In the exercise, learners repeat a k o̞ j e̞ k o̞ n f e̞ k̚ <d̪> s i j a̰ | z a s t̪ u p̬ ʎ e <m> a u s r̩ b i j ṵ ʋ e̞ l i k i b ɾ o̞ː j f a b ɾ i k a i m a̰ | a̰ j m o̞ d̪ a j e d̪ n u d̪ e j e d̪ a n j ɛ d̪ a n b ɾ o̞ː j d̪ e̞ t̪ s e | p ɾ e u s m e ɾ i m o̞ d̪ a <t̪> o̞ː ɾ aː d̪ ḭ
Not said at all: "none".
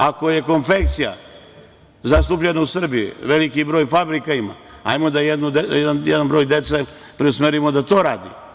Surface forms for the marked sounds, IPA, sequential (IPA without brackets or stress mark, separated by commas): t̪, n, t̪